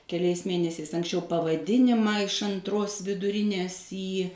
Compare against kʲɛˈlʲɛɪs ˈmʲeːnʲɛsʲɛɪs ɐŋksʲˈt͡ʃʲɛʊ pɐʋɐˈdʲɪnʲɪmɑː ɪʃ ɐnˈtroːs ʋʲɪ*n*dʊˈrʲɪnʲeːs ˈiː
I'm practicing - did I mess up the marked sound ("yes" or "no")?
yes